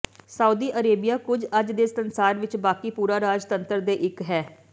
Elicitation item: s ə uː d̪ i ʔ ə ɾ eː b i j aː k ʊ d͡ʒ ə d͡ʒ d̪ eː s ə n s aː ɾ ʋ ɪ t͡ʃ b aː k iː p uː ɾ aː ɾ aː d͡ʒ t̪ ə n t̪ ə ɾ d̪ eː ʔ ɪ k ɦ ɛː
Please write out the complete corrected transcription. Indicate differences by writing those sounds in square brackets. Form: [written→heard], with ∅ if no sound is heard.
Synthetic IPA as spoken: s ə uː d̪ [i→iː] ʔ ə ɾ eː b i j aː k ʊ d͡ʒ ə d͡ʒ d̪ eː s ə n s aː ɾ ʋ ɪ t͡ʃ b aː k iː p uː ɾ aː ɾ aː d͡ʒ t̪ ə n t̪ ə ɾ d̪ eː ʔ ɪ k ɦ ɛː

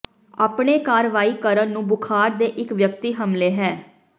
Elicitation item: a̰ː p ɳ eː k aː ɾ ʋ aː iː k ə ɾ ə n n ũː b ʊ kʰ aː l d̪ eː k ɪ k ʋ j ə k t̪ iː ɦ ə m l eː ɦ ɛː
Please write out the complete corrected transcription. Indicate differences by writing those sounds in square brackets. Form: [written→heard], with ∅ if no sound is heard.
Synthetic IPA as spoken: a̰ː p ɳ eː k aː ɾ ʋ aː iː k ə ɾ ə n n ũː b ʊ kʰ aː [l→ɾ] d̪ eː [k→ʔ] ɪ k ʋ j ə k t̪ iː ɦ ə m l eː ɦ ɛː

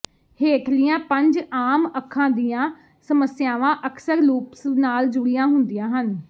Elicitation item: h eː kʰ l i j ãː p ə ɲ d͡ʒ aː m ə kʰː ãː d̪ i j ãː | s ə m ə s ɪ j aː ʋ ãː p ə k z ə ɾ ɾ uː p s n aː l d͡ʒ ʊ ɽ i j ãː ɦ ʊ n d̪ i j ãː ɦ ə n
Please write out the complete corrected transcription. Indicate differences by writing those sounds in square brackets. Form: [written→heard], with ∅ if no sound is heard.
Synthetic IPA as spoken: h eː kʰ l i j ãː p ə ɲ d͡ʒ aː m ə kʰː ãː d̪ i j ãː | s ə m ə s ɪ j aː ʋ ãː [p→ʔ] ə k [z→s] ə ɾ [ɾ→l] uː p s n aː l d͡ʒ ʊ ɽ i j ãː ɦ ʊ n d̪ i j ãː ɦ ə n

